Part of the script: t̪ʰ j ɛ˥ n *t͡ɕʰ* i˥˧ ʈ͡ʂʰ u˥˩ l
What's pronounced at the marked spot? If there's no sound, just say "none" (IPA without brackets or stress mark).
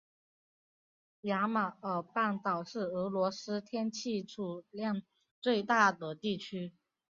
t͡ɕʰ